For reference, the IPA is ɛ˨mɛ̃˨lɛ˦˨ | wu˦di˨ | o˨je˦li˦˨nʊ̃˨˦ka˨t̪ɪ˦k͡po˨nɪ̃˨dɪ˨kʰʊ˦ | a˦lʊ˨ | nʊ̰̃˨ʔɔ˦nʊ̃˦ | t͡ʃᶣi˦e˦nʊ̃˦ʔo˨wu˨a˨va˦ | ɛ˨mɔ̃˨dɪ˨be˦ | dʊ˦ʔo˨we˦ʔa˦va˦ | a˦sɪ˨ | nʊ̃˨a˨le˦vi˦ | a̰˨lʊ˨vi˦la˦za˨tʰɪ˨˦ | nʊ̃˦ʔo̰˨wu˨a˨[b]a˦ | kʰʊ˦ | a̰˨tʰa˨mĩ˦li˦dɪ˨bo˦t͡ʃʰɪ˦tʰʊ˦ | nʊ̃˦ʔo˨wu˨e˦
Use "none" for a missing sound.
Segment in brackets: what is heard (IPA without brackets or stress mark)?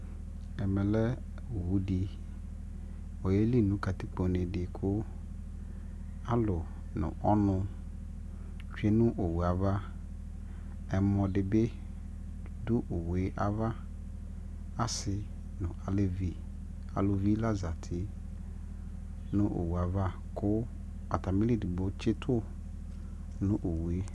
v